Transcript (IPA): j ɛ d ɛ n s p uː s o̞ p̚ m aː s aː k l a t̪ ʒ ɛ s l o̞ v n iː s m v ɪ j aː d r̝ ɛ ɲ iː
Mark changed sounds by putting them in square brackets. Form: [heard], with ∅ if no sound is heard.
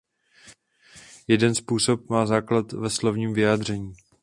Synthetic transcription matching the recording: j ɛ d ɛ n s p uː s o̞ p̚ m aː [z] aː k l a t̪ [v] ɛ s l o̞ v [ɲ] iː [∅] m v ɪ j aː d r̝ ɛ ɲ iː